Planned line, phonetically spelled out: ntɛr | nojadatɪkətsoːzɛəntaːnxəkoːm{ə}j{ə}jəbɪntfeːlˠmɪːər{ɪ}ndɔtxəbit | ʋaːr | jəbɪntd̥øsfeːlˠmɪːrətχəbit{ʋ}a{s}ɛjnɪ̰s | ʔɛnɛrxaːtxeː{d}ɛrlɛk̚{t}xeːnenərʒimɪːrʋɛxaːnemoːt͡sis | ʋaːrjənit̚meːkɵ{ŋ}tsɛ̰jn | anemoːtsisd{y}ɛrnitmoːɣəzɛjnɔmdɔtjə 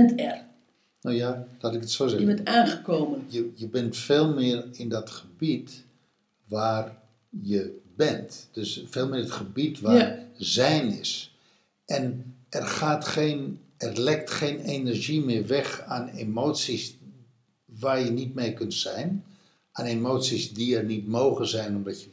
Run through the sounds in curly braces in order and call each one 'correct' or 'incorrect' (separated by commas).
correct, correct, correct, correct, incorrect, incorrect, correct, incorrect, incorrect